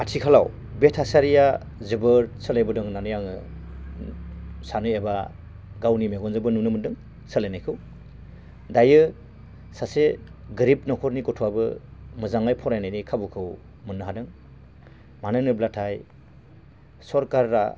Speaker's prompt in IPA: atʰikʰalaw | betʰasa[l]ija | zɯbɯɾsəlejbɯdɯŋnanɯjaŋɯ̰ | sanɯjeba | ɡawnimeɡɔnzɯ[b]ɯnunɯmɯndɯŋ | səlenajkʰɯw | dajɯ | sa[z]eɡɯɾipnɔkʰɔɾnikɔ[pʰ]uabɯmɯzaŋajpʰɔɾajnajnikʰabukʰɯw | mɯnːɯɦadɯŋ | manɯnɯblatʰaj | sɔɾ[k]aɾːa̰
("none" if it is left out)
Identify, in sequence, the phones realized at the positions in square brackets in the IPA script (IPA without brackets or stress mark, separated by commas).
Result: ɾ, b, s, tʰ, k